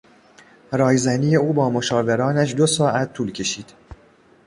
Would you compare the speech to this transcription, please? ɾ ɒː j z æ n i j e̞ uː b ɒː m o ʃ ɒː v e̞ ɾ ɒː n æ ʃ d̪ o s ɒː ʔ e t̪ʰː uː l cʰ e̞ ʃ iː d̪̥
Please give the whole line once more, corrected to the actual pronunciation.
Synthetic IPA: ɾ ɒː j z æ n i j e̞ uː b ɒː m o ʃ ɒː v e̞ ɾ ɒː n æ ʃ d̪ o s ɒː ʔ æ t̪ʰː uː l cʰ e̞ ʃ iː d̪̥